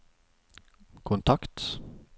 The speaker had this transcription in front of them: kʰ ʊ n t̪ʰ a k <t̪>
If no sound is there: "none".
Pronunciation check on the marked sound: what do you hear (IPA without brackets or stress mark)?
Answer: t̪